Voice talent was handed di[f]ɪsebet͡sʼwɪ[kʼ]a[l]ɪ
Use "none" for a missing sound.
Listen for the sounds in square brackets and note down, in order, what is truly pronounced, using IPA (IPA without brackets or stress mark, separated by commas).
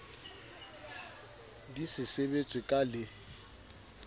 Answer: s, kʼ, l